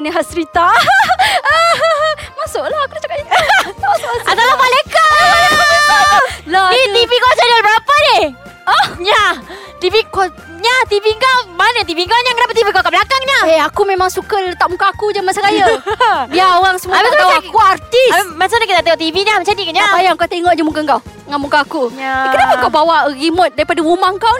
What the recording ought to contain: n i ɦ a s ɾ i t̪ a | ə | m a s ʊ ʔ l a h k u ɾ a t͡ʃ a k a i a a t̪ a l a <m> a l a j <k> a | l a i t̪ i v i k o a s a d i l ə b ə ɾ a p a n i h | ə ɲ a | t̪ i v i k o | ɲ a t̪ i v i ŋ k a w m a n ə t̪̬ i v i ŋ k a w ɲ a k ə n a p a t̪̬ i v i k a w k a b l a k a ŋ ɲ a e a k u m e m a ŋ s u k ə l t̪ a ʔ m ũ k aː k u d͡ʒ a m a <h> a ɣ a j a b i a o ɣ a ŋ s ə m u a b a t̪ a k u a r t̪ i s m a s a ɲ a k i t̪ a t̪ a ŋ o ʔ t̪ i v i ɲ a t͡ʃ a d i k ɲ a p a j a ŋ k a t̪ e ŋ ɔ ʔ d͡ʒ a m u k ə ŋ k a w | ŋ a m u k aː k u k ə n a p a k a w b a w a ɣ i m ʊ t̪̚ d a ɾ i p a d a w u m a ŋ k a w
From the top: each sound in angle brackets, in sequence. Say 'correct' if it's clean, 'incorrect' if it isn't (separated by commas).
correct, correct, incorrect